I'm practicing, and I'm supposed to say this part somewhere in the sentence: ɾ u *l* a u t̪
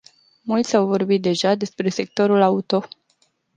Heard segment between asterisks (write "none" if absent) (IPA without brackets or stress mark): l